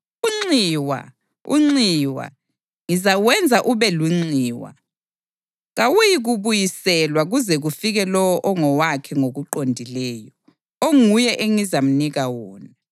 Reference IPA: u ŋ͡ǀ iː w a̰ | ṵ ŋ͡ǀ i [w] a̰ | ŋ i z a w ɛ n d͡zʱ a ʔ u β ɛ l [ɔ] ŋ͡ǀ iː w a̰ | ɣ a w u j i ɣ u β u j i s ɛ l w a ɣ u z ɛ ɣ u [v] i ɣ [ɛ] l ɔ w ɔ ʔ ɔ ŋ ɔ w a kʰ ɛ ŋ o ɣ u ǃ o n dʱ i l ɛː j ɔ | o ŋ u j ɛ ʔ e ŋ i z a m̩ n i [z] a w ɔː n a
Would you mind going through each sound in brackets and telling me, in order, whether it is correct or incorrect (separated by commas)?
correct, incorrect, incorrect, correct, incorrect